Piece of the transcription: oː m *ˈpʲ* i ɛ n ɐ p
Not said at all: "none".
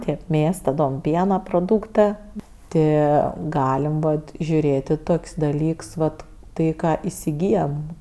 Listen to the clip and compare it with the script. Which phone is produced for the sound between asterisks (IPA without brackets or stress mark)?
pʲ